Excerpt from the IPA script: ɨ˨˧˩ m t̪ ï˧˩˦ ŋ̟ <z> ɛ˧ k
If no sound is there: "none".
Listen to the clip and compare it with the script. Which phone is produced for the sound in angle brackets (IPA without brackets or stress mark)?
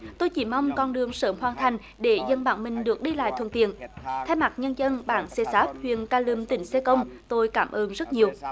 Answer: s